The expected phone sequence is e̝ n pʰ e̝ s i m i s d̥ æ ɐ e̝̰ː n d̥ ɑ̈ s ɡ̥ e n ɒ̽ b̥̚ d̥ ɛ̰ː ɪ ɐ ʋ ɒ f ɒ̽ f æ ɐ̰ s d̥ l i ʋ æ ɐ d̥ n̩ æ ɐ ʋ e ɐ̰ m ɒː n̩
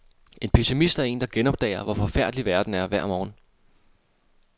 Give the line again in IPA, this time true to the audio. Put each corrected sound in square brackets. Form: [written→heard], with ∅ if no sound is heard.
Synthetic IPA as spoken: e̝ n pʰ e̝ s i m i s d̥ æ ɐ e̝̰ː n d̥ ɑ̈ [s→∅] ɡ̥ e n ɒ̽ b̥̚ d̥ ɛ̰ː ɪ ɐ ʋ ɒ f ɒ̽ f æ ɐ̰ [s→∅] d̥ l i ʋ æ ɐ d̥ n̩ æ ɐ ʋ [e→æ] ɐ̰ m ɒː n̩